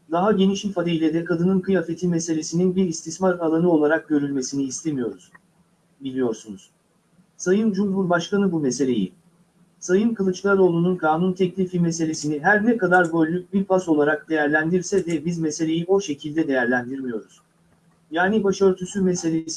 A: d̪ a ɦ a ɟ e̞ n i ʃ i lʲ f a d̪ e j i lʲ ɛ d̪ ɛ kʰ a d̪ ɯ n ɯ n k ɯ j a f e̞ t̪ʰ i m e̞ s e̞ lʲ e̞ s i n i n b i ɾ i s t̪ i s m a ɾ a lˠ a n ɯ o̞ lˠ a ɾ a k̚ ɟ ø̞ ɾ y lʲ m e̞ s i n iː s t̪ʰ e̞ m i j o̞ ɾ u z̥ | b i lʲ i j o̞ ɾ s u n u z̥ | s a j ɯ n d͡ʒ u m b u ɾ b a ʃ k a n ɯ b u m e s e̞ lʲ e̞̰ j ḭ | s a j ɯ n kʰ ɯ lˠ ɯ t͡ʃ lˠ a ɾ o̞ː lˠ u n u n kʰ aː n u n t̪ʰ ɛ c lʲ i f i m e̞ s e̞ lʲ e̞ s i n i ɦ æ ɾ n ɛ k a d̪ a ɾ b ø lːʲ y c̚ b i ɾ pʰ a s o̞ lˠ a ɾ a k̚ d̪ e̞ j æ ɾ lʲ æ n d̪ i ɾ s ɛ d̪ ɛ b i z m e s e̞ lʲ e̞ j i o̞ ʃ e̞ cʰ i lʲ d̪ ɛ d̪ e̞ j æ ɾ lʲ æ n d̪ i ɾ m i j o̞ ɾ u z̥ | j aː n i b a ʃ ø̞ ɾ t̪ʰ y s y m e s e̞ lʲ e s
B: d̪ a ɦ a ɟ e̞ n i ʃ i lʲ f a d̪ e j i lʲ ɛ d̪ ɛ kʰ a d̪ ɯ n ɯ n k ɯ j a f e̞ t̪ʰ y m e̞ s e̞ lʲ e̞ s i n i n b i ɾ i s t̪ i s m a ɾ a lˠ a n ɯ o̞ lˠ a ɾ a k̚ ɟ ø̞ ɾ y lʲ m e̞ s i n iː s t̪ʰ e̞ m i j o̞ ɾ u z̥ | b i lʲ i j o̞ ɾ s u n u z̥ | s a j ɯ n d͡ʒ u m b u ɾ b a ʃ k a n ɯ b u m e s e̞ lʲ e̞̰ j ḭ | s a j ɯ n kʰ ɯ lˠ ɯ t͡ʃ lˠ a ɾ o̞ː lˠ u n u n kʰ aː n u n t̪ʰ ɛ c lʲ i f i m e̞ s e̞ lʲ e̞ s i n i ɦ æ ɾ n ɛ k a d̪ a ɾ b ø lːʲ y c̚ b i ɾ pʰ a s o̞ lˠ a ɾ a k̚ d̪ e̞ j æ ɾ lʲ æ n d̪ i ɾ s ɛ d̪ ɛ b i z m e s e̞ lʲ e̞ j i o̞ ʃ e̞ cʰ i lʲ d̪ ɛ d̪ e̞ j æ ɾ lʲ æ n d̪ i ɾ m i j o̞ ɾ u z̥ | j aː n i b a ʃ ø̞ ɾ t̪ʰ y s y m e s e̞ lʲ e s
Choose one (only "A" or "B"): A